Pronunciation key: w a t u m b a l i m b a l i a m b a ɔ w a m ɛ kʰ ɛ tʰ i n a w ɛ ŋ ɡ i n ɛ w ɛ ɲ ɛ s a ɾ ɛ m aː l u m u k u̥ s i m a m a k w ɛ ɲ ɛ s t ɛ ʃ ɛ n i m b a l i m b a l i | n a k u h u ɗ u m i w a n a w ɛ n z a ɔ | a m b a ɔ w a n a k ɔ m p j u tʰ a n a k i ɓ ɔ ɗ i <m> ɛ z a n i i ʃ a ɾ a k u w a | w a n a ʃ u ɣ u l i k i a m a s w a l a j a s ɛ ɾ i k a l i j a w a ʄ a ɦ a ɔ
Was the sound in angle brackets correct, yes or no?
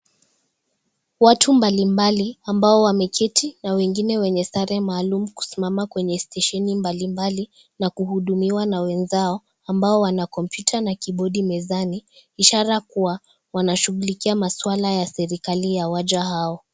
yes